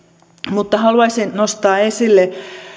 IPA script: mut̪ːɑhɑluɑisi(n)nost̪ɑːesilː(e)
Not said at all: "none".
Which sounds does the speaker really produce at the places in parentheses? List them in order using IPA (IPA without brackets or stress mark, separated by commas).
n, e